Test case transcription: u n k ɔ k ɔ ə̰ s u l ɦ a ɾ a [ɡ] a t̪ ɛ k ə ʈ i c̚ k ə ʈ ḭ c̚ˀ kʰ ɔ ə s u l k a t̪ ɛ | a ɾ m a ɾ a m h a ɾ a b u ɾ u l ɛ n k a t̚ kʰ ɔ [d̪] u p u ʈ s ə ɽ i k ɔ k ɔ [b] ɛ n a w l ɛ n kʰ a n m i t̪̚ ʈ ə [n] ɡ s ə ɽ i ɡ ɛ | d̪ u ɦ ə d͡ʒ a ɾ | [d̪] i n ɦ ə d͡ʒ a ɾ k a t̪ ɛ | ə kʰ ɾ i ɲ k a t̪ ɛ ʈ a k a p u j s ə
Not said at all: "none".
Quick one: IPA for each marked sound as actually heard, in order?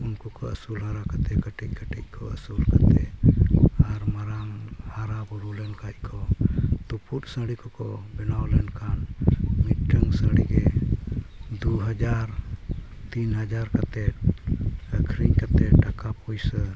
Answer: k, t̪, b, ŋ, t̪

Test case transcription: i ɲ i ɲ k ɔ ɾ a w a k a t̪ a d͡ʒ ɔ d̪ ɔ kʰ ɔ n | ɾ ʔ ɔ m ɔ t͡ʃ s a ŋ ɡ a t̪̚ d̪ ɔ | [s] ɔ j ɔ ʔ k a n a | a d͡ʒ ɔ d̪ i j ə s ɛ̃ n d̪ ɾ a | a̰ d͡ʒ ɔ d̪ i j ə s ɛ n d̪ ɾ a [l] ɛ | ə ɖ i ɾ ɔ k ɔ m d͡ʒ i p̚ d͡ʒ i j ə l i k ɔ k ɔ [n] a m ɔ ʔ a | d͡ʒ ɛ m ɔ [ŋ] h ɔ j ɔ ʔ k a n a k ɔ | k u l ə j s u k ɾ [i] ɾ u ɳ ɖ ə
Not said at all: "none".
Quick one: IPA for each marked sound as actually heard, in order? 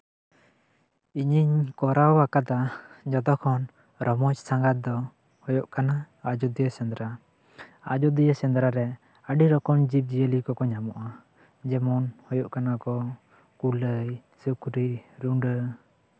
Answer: h, ɾ, ɲ, n, i

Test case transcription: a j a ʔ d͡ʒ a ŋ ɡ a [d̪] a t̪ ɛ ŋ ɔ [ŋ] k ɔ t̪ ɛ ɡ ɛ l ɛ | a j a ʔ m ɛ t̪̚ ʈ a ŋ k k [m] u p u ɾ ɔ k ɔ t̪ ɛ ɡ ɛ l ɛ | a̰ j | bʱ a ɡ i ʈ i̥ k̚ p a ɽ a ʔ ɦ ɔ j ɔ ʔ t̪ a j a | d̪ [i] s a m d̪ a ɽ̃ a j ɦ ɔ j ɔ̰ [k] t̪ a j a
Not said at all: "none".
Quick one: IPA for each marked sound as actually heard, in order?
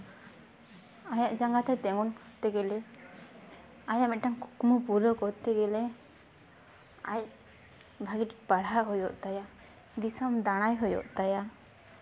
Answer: t̪, n, m, i, ʔ

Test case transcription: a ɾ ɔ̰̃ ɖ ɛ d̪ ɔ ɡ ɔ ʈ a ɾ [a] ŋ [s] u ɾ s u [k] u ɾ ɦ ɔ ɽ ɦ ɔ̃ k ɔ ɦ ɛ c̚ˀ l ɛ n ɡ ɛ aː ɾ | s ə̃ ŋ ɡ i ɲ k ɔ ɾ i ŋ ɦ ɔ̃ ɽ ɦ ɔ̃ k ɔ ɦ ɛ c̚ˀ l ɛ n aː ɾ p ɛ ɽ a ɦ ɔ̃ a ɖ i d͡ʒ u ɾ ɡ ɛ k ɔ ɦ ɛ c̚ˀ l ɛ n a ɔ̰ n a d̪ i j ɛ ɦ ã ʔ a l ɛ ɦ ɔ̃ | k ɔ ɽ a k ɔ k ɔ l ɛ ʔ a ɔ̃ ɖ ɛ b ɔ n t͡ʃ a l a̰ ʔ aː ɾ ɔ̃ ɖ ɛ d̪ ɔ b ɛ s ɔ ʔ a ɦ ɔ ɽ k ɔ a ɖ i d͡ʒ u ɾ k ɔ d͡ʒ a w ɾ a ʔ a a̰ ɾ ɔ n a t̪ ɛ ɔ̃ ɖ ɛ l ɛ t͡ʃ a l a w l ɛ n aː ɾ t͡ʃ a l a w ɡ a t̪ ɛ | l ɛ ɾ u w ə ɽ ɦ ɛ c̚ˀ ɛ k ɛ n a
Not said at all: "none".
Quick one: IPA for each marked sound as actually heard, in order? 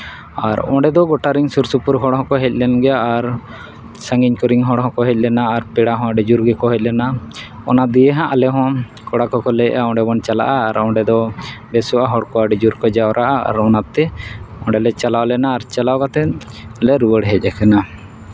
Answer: i, s, p

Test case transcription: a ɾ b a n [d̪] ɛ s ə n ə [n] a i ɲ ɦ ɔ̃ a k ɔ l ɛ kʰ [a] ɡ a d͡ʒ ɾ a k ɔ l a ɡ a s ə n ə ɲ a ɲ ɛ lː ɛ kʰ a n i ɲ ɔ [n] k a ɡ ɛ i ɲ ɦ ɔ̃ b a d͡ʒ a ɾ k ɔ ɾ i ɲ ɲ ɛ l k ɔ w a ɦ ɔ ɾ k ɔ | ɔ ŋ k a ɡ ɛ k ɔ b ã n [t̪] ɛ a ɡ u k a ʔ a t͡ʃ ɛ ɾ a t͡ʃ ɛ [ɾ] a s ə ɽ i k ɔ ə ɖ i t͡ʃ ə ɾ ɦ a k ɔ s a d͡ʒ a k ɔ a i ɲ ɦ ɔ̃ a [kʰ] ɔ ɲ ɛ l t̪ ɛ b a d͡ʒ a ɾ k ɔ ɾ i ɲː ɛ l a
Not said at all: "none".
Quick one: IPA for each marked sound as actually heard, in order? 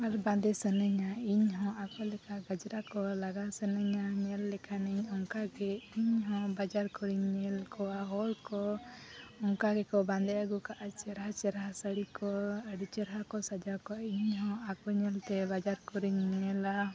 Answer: d̪, ɲ, a, ŋ, d̪, ɾ, k

